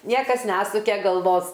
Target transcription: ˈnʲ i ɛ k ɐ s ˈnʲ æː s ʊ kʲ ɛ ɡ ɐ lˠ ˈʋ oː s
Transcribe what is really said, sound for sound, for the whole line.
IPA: ˈnʲ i ɛ k ɐ s ˈnʲ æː s ʊ kʲ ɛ ɡ ɐ lˠ ˈʋ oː s